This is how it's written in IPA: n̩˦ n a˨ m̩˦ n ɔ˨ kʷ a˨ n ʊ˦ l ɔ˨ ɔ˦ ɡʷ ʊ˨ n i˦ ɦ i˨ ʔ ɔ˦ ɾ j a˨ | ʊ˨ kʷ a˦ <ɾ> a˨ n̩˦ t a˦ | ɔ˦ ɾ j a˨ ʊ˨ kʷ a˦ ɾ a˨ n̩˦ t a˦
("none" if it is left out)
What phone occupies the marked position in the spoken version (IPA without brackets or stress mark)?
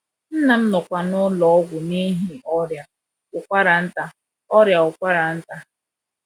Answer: ɾ